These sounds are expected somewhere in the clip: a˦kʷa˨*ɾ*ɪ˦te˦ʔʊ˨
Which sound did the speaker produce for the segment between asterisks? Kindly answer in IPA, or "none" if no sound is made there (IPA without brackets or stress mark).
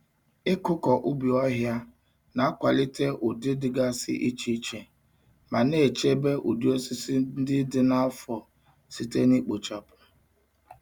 l